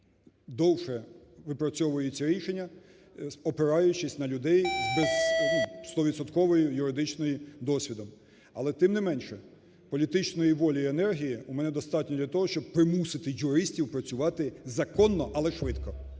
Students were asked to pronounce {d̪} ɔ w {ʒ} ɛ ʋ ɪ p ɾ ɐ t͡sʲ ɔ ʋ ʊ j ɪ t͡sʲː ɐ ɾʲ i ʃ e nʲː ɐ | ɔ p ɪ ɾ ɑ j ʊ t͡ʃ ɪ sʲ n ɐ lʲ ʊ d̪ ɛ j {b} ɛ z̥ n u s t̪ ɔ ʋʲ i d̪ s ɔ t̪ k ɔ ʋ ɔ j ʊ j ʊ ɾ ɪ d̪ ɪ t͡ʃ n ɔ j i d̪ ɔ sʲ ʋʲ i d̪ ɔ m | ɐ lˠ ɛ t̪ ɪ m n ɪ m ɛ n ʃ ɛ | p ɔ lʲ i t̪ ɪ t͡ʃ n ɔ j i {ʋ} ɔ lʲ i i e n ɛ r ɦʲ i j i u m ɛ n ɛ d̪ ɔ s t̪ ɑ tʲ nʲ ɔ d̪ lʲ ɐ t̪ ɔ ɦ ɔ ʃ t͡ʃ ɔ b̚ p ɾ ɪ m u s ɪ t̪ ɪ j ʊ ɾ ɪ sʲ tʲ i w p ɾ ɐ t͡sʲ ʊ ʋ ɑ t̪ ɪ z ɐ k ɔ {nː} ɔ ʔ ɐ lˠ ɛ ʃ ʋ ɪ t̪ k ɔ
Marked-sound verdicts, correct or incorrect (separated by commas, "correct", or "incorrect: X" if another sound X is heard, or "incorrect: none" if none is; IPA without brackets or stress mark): correct, incorrect: ʃ, correct, correct, correct